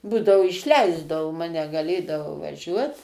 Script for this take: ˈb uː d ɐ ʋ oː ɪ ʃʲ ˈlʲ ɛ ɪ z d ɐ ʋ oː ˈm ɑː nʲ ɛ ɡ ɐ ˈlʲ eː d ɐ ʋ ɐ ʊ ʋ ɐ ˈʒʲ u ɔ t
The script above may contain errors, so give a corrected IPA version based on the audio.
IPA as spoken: ˈb uː d ɐ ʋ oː ɪ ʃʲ ˈlʲ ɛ ɪ z d ɐ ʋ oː ˈm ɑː nʲ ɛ ɡ ɐ ˈlʲ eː d ɐ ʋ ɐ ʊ ʋ ɐ ˈʒʲ u ɔ t